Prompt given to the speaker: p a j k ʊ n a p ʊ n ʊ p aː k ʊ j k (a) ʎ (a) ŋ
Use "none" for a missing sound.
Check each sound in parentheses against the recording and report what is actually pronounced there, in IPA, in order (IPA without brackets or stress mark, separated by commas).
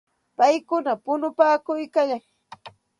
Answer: a, a